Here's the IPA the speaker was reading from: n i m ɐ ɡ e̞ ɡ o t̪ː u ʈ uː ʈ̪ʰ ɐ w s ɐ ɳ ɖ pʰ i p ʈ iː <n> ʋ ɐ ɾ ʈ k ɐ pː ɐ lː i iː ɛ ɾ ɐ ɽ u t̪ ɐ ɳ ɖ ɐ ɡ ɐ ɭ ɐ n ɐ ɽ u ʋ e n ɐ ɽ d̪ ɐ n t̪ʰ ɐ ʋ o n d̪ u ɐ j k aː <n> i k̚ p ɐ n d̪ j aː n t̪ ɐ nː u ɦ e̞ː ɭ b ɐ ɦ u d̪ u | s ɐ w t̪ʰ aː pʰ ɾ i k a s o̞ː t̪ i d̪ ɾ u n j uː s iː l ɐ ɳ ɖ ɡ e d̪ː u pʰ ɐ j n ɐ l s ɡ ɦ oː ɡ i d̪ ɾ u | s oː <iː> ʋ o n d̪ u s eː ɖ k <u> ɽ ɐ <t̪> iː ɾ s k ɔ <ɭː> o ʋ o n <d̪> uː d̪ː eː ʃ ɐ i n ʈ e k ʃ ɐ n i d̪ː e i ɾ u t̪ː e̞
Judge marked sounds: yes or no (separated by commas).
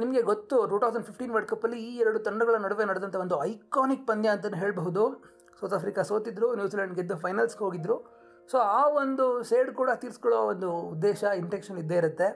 yes, yes, no, no, yes, no, yes